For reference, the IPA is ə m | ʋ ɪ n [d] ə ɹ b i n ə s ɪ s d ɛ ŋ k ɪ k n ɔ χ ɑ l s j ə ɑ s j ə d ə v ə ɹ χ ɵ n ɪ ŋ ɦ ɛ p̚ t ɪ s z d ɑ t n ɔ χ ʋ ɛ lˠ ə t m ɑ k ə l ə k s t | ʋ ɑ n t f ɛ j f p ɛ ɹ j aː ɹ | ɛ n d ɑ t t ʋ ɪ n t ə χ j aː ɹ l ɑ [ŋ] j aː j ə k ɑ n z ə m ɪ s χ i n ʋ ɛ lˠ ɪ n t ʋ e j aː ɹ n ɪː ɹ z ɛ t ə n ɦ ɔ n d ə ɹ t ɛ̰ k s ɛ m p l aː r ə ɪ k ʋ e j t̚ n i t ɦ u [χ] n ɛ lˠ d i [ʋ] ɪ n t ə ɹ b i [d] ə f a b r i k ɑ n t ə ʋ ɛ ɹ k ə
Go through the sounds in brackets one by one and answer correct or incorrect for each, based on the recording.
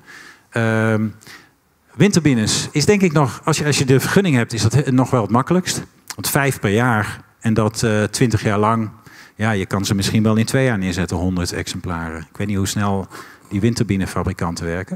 incorrect: t, correct, incorrect: s, correct, incorrect: n

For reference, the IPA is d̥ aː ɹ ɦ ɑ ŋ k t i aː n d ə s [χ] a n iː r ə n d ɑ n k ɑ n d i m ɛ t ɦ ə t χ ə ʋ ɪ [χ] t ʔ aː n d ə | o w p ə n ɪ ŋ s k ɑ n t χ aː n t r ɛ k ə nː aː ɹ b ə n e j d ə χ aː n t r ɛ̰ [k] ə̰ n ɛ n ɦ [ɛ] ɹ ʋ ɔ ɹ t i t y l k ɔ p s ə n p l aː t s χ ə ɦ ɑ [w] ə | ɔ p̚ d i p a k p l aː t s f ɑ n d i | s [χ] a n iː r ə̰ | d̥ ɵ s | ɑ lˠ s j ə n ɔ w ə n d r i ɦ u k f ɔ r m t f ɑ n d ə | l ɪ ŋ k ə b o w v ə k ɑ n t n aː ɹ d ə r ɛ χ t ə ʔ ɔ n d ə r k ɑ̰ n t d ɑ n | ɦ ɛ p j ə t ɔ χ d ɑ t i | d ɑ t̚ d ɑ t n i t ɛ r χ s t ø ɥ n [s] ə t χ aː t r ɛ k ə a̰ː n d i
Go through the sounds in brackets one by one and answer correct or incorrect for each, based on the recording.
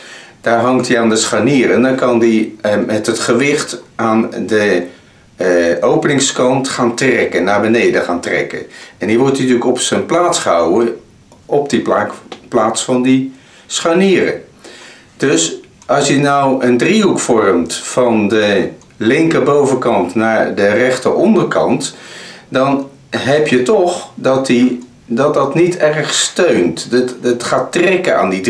correct, correct, correct, incorrect: i, correct, correct, incorrect: t

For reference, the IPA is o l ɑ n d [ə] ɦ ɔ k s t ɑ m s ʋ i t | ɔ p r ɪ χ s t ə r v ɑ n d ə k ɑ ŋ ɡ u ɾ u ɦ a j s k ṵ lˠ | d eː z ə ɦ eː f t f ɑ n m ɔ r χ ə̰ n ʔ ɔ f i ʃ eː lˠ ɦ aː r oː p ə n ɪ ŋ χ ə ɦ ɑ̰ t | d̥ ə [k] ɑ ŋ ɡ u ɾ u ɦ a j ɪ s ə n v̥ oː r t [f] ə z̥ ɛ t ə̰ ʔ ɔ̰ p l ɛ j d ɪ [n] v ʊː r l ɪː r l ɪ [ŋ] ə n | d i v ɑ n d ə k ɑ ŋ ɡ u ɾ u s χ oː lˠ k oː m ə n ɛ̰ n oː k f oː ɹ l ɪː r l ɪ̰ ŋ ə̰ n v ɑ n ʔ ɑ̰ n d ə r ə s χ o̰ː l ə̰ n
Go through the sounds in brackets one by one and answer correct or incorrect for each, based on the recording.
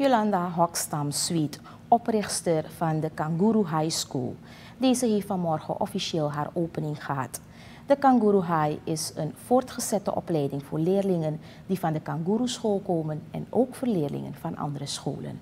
incorrect: a, correct, incorrect: χ, incorrect: ŋ, correct

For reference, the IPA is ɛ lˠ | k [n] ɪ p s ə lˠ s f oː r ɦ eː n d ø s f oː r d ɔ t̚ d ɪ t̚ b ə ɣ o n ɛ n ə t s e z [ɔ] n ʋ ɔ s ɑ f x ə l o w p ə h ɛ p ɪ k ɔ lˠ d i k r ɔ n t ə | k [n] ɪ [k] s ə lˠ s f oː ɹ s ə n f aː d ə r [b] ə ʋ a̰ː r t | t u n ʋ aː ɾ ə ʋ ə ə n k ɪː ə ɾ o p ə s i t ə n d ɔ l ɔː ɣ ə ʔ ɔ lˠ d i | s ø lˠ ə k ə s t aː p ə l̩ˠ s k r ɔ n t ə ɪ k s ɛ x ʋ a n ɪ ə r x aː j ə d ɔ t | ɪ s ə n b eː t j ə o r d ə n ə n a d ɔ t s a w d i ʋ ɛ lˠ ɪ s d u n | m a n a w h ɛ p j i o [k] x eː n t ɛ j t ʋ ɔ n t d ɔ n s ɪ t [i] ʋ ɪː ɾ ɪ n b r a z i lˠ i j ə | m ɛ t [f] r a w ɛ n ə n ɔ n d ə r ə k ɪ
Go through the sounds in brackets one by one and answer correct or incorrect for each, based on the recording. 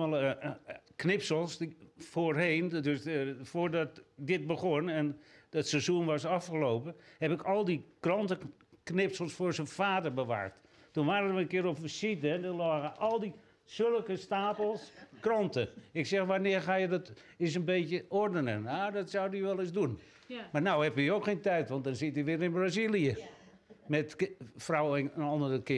correct, incorrect: u, correct, incorrect: p, correct, correct, correct, correct

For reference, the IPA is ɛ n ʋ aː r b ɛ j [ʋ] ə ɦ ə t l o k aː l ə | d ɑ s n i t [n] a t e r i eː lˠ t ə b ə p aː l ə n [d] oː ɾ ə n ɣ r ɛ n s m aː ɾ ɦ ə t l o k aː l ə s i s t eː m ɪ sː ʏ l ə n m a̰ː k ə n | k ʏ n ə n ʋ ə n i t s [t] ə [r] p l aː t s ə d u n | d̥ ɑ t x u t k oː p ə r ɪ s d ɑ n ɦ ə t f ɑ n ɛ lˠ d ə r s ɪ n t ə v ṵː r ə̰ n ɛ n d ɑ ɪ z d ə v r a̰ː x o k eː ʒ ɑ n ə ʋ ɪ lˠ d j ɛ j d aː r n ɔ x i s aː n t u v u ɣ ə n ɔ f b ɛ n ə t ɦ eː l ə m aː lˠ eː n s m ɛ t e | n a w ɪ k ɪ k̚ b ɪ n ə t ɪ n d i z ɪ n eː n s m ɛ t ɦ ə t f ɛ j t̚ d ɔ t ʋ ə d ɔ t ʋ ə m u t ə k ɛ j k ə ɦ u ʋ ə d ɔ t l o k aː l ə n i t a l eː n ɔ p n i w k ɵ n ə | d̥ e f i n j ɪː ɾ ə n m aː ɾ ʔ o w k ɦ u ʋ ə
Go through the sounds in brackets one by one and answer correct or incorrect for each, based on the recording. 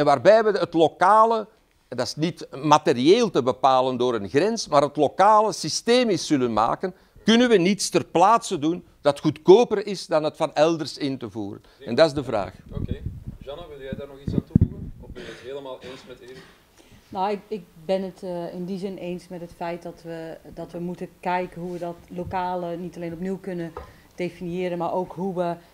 correct, incorrect: m, correct, correct, correct

